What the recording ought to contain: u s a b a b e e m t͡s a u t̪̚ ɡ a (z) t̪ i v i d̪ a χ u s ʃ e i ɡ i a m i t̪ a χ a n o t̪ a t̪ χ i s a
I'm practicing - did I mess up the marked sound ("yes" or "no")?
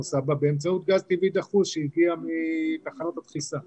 no